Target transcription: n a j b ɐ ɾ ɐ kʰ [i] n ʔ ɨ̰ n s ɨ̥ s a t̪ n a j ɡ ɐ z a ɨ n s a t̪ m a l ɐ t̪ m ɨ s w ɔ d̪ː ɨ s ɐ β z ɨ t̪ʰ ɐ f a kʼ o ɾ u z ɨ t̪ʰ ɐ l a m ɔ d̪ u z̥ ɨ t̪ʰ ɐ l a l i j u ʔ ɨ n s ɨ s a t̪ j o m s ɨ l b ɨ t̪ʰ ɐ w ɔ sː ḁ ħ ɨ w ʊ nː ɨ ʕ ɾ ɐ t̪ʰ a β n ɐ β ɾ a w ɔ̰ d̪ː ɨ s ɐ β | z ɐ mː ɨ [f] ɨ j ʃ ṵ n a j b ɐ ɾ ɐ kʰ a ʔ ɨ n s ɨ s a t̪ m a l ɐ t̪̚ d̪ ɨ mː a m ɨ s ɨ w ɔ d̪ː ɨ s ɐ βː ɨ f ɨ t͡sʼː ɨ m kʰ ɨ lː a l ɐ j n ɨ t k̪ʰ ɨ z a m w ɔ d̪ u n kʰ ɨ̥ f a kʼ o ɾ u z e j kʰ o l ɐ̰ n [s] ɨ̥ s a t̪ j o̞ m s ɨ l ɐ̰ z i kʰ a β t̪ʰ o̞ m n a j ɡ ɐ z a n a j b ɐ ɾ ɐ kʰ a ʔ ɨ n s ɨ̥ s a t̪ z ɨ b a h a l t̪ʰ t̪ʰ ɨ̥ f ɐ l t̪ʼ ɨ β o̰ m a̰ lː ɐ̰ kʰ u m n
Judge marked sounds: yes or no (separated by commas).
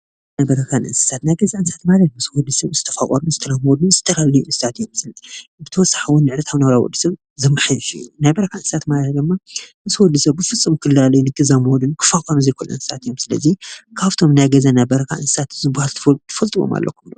no, no, yes